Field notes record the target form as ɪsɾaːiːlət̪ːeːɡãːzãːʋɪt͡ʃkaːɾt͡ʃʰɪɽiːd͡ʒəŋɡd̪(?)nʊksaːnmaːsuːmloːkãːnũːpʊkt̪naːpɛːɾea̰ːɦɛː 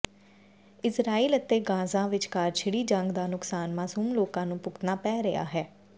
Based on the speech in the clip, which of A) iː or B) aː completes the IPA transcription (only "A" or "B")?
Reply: B